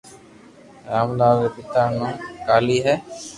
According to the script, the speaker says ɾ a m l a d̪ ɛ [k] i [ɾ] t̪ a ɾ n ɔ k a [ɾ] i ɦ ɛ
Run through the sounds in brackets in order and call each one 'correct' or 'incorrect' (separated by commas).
incorrect, incorrect, incorrect